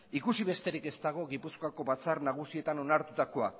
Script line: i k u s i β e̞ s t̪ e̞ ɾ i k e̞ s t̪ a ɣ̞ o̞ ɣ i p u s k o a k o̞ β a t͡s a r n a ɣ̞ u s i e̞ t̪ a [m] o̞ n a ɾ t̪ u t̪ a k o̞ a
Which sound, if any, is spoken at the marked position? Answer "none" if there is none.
n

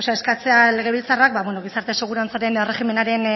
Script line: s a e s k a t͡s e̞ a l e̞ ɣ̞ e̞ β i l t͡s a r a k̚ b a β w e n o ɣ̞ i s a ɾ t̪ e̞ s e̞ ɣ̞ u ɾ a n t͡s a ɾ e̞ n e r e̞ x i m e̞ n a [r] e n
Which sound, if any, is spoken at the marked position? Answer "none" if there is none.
ɾ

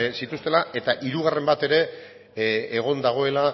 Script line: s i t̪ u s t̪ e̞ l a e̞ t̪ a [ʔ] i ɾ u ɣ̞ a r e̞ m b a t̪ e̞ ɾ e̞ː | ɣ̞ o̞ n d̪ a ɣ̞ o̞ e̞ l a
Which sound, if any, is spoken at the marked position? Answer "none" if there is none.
ʔ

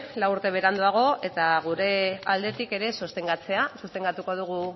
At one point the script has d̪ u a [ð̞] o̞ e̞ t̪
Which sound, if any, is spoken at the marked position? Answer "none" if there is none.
ɣ̞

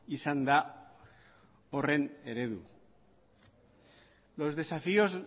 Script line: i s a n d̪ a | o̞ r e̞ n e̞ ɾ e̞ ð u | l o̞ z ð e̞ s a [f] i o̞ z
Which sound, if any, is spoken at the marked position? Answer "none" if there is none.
f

